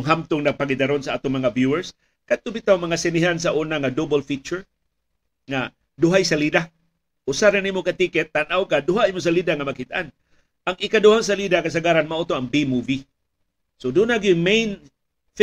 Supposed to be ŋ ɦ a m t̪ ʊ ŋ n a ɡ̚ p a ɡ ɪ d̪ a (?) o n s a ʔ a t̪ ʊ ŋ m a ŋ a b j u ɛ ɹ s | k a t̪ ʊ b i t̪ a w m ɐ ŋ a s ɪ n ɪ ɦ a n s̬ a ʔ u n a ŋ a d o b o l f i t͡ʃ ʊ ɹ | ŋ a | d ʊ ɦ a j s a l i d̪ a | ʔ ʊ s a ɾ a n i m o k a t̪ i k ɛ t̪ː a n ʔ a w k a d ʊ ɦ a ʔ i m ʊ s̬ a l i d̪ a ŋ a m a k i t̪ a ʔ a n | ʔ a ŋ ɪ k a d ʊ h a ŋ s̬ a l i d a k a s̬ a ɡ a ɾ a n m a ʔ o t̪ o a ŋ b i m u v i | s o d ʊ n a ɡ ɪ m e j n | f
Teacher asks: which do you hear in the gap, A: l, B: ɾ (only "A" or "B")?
B